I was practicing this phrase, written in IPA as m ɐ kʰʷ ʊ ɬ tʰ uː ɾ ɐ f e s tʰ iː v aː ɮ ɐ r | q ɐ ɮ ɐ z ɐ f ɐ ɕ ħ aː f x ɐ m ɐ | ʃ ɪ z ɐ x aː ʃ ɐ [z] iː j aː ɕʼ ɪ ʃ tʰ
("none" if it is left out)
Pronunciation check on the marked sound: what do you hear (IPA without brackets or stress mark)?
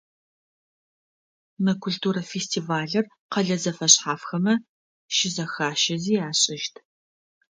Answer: z